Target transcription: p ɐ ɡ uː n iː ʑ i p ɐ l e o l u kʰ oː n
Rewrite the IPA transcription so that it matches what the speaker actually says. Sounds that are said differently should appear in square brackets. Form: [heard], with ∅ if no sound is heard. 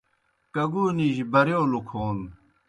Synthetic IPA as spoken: [k] ɐ ɡ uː n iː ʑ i [b] ɐ [ɾ] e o l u kʰ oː n